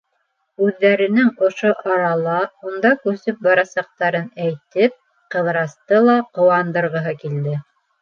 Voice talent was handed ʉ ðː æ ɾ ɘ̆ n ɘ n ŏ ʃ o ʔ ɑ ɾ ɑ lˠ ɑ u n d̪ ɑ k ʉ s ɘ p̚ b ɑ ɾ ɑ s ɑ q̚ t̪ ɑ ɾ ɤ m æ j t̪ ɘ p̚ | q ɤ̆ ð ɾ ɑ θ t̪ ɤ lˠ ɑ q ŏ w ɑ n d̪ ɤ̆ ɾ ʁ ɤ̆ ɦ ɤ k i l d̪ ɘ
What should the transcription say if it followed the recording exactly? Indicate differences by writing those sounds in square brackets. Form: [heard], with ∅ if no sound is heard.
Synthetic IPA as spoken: ʉ ðː æ ɾ ɘ̆ n ɘ [ŋ] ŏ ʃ o ʔ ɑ ɾ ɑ lˠ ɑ u n d̪ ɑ k ʉ s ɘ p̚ b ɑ ɾ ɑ s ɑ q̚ t̪ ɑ ɾ ɤ [n] æ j t̪ ɘ p̚ | q ɤ̆ ð ɾ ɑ [s] t̪ ɤ lˠ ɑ q ŏ w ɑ n d̪ ɤ̆ ɾ ʁ ɤ̆ ɦ ɤ k i l d̪ ɘ